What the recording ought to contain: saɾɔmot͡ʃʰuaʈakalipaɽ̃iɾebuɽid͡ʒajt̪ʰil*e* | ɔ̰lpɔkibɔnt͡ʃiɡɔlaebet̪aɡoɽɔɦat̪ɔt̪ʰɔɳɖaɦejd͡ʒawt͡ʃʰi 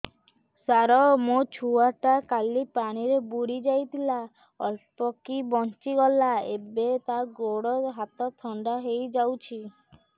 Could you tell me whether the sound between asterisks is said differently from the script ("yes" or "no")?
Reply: yes